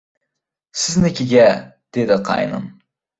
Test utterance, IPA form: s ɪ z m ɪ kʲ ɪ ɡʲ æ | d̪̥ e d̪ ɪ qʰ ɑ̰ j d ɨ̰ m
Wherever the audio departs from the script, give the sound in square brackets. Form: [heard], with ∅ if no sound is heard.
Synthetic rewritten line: s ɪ z [n] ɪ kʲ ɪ ɡʲ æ | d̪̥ e d̪ ɪ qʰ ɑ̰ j [n] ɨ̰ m